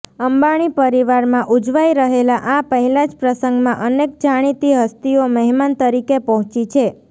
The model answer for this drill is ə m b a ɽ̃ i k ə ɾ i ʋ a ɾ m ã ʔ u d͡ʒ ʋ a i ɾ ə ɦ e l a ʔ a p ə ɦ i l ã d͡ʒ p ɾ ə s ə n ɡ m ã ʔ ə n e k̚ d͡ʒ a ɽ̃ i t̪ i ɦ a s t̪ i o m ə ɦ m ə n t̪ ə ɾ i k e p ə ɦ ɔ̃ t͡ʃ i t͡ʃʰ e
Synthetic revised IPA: ə m b a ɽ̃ i p ə ɾ i ʋ a ɾ m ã ʔ u d͡ʒ ʋ a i ɾ ə ɦ e l a ʔ a p ə ɦ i l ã d͡ʒ p ɾ ə s ə ŋ ɡ m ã ʔ ə n e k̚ d͡ʒ a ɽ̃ i t̪ i ɦ ə s t̪ i o m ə ɦ m a n t̪ ə ɾ i k e p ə ɦ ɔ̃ t͡ʃ i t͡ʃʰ e